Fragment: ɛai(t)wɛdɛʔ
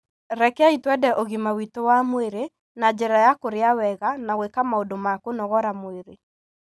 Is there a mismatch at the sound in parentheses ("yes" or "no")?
no